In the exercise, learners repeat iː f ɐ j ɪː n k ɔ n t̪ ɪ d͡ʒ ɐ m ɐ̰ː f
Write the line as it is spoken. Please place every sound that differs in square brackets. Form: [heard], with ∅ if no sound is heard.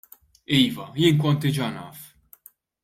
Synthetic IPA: iː [v] ɐ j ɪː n k ɔ n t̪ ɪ d͡ʒ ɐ [n] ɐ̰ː f